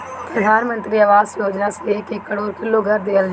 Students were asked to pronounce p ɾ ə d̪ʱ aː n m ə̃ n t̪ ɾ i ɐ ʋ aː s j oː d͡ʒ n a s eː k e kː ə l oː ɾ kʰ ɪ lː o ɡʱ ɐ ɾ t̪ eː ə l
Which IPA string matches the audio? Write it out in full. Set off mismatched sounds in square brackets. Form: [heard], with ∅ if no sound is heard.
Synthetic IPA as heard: p ɾ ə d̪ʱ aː n m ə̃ n t̪ ɾ i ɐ ʋ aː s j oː d͡ʒ n a s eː k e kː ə [ɽ] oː ɾ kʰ ɪ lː o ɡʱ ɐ ɾ [d̪] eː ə l